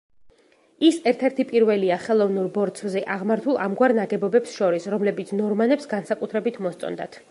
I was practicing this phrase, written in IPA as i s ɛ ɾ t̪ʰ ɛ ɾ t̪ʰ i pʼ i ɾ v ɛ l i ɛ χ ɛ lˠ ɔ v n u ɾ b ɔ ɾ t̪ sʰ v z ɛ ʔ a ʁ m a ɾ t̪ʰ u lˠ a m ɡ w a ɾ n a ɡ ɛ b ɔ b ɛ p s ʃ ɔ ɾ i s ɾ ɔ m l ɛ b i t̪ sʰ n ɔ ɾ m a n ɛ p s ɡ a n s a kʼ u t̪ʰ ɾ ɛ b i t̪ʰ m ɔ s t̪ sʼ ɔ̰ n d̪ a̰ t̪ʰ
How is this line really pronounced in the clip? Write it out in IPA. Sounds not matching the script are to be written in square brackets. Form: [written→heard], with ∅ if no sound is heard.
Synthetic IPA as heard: i s ɛ ɾ t̪ʰ ɛ ɾ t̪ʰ i pʼ i ɾ v ɛ l i [ɛ→a] χ ɛ lˠ ɔ v n u ɾ b ɔ ɾ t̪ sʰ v z ɛ ʔ a ʁ m a ɾ t̪ʰ u lˠ a m ɡ w a ɾ n a ɡ ɛ b ɔ b ɛ p s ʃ ɔ ɾ i s ɾ ɔ m l ɛ b i t̪ sʰ n ɔ ɾ m a n ɛ p s ɡ a n s a kʼ u t̪ʰ ɾ ɛ b i t̪ʰ m ɔ s t̪ sʼ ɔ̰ n d̪ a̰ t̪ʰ